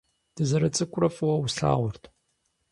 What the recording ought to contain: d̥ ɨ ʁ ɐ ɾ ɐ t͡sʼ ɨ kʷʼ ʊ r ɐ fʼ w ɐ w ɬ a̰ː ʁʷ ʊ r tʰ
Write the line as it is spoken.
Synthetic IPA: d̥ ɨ z ɐ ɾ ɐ t͡sʼ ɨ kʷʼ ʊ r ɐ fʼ w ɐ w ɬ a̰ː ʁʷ ʊ r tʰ